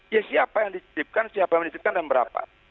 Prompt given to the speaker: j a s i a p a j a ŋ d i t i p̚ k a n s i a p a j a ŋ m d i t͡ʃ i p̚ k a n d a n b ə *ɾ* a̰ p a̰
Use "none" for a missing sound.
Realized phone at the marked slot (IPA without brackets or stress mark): ɾ